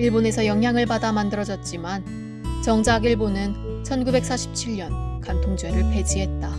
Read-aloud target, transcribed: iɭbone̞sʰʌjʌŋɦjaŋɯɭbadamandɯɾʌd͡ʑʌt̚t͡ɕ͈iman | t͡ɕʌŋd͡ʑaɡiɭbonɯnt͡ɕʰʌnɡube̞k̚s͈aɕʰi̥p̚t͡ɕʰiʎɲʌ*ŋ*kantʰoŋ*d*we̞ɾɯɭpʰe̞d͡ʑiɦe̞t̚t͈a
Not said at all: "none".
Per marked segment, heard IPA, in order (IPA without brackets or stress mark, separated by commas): n, d͡ʑ